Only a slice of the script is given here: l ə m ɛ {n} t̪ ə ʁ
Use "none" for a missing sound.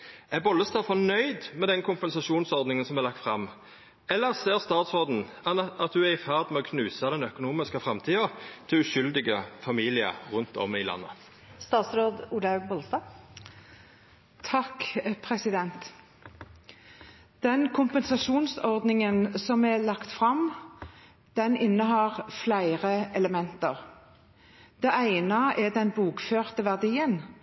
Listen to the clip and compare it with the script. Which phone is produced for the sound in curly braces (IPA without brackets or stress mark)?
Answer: n